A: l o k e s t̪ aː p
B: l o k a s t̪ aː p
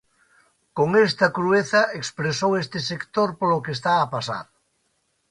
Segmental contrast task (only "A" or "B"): A